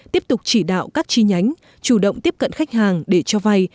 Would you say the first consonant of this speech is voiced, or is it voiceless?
voiceless